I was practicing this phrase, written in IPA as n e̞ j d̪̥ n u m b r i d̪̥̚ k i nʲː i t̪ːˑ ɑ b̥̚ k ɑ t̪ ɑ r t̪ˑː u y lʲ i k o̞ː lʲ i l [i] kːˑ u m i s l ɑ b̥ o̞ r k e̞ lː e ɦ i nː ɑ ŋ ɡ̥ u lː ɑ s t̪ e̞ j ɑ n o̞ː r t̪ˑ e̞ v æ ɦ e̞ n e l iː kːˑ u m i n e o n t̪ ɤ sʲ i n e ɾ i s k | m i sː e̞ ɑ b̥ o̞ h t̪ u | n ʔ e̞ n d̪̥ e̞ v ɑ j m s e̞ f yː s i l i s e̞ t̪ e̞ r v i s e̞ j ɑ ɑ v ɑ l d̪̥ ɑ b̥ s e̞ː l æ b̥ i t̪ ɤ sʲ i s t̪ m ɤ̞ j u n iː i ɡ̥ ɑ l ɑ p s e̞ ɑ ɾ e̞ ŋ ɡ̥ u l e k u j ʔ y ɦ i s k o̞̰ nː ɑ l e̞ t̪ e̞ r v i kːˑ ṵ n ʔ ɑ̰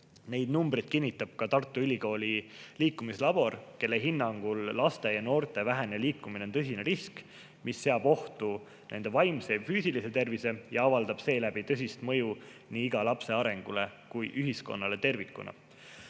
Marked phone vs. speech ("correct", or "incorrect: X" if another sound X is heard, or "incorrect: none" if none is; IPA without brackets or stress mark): incorrect: iː